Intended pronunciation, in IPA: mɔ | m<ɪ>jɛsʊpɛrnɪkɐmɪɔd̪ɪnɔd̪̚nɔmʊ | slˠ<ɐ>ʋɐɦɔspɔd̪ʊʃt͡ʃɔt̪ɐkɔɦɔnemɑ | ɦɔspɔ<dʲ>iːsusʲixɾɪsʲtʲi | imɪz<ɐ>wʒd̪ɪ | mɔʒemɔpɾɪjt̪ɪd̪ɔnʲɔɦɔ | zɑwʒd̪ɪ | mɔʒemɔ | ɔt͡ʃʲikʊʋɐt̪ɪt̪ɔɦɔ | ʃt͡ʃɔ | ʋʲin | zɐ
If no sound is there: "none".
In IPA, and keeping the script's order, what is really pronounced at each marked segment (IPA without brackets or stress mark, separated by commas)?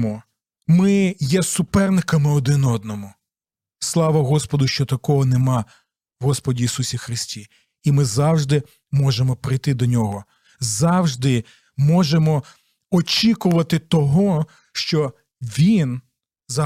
ɪ, ɑ, dʲ, ɑ